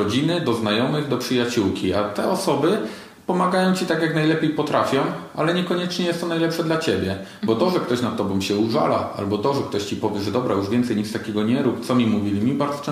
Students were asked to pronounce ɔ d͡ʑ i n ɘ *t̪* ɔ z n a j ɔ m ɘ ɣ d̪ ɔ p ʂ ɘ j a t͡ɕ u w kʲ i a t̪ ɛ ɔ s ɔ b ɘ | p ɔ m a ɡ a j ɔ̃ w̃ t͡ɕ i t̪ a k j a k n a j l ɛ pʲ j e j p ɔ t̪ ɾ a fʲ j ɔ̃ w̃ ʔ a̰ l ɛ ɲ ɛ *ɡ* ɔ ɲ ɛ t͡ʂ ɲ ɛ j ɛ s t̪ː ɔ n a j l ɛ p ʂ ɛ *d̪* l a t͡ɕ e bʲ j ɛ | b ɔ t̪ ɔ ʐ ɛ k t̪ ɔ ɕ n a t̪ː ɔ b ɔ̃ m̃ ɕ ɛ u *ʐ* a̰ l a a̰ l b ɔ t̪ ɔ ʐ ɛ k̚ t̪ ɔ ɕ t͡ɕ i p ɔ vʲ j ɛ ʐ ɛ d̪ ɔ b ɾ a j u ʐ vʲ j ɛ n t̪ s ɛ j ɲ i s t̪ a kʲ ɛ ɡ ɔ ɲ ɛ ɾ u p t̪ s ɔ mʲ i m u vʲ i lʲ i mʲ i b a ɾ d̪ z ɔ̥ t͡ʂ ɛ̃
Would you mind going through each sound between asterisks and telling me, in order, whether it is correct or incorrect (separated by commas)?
incorrect, incorrect, correct, correct